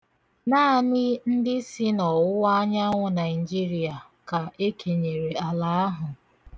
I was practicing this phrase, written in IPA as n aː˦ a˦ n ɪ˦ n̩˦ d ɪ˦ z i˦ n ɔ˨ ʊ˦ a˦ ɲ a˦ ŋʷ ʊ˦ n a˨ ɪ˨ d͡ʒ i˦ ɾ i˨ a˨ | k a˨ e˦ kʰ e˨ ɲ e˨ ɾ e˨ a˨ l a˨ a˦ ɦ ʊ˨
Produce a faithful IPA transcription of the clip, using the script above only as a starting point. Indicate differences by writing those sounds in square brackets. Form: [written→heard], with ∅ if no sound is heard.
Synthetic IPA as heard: n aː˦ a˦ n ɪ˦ n̩˦ d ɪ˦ [z→s] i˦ n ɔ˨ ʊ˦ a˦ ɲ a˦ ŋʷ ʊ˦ n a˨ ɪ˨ d͡ʒ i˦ ɾ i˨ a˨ | k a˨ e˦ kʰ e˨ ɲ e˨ ɾ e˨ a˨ l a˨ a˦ ɦ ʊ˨